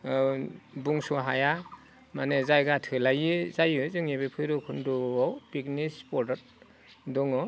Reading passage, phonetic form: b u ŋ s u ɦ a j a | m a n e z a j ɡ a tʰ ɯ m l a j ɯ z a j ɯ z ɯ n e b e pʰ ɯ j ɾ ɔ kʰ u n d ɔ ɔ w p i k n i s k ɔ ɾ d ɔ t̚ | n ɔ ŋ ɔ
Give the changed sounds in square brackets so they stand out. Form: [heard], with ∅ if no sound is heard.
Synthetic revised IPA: b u ŋ s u ɦ a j a | m a n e z a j ɡ a tʰ ɯ [∅] l a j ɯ z a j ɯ z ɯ [ŋ] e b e pʰ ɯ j ɾ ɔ kʰ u n d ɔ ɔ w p i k n i s [p] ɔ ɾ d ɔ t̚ | [d] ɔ ŋ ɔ